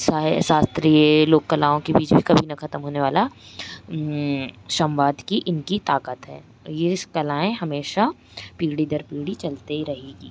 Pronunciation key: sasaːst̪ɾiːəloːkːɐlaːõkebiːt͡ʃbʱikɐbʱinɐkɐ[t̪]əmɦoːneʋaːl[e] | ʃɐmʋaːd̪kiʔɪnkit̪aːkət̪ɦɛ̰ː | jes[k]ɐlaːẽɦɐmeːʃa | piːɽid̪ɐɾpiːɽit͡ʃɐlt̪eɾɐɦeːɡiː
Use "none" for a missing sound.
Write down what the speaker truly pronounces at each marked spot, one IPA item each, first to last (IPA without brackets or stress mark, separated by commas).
t̪, a, k